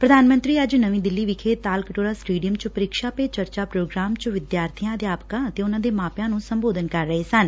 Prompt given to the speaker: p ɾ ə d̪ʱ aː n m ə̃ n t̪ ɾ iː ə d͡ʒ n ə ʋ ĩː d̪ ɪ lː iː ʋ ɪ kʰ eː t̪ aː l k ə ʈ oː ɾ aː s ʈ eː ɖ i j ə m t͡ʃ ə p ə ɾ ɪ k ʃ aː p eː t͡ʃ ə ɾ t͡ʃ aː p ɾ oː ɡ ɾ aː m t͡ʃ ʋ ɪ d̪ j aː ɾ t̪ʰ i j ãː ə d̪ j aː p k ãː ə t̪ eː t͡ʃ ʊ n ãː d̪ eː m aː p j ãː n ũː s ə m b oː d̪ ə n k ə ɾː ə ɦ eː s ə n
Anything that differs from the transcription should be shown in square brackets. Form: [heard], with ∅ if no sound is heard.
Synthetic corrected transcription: p ɾ ə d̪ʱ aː n m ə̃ n t̪ ɾ iː ə d͡ʒ n ə ʋ ĩː d̪ ɪ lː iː ʋ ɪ kʰ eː t̪ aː l k ə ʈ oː ɾ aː s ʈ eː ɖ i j ə m t͡ʃ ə p ə ɾ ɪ k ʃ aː p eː t͡ʃ ə ɾ t͡ʃ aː p ɾ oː ɡ ɾ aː m t͡ʃ ʋ ɪ d̪ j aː ɾ t̪ʰ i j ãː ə d̪ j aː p k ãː ə t̪ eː [∅] ʊ n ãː d̪ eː m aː p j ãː n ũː s ə m b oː d̪ ə n k ə ɾː ə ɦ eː s ə n